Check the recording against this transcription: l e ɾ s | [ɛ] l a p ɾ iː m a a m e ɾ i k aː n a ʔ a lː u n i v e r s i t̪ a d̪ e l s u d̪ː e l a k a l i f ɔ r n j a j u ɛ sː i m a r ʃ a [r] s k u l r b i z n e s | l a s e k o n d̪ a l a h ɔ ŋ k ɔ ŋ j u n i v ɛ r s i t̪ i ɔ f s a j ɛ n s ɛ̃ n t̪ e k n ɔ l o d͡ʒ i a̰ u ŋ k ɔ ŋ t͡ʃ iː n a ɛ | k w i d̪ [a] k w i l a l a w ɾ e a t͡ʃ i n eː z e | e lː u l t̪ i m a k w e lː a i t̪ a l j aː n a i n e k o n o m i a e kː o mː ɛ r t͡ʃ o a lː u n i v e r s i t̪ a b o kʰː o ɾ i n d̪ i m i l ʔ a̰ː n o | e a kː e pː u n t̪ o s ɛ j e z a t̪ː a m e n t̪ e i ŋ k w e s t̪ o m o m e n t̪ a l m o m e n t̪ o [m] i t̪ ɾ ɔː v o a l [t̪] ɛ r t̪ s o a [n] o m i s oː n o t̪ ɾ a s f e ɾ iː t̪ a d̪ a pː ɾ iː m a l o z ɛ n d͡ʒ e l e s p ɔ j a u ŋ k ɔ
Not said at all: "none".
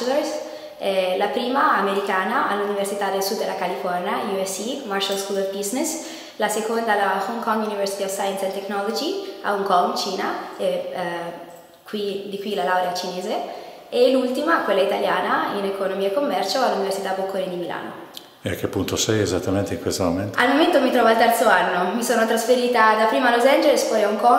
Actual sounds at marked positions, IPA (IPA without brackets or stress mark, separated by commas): ɛ, l, i, m, t̪, nː